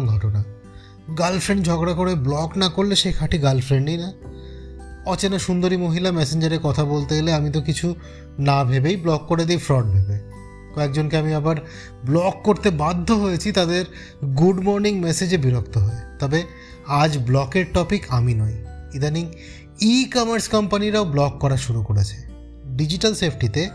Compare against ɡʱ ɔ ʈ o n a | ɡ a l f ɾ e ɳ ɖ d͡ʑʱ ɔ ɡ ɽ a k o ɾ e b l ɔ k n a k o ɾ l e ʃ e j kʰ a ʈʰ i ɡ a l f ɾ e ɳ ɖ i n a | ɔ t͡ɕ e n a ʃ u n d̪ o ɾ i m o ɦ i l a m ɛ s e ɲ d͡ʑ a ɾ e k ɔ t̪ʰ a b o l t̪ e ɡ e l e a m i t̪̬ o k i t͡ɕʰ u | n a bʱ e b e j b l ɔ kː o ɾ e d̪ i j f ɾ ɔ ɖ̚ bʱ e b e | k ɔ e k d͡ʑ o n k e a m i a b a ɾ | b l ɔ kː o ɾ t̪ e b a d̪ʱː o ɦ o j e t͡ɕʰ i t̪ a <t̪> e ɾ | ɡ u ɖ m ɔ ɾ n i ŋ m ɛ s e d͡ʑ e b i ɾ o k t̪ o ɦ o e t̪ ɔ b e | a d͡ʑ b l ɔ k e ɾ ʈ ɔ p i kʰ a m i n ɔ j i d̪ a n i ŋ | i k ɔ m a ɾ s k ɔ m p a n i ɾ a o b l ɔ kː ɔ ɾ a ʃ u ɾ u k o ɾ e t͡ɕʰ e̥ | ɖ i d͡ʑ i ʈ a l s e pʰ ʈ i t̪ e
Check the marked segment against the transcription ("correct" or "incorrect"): incorrect